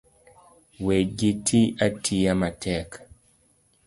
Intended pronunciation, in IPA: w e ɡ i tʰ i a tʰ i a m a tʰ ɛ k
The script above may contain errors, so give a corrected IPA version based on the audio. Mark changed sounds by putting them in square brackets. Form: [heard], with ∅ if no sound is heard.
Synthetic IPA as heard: w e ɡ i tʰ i a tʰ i a m a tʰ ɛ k